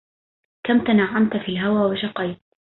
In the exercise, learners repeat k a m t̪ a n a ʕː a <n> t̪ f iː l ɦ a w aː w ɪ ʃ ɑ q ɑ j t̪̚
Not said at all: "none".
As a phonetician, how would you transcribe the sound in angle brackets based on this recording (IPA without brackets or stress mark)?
m